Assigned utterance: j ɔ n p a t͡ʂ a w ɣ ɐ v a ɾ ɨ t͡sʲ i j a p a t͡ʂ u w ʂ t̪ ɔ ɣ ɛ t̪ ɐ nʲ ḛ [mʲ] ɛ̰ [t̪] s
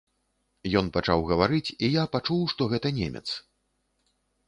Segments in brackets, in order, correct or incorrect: correct, correct

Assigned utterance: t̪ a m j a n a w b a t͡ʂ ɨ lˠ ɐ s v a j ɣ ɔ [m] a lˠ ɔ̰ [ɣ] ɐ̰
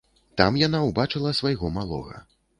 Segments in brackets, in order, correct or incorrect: correct, correct

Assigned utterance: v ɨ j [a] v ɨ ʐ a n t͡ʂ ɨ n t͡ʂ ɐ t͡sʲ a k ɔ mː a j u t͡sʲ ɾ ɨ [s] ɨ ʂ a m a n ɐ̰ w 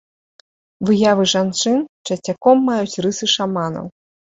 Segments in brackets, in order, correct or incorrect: correct, correct

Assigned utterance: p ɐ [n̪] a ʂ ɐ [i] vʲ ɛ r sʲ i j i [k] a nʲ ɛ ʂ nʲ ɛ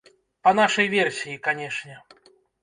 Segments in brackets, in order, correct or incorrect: correct, incorrect, correct

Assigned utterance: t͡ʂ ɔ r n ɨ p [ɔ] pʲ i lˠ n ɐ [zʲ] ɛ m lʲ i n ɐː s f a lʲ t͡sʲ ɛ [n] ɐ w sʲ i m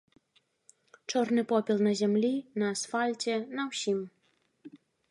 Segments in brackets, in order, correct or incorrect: correct, correct, correct

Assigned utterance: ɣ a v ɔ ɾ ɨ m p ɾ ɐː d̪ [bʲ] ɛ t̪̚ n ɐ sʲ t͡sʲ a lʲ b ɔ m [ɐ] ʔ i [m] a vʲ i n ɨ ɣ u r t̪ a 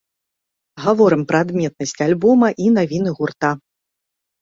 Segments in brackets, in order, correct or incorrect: incorrect, correct, incorrect

